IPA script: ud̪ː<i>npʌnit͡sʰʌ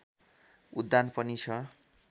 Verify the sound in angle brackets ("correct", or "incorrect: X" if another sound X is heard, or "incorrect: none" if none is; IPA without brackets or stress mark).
incorrect: a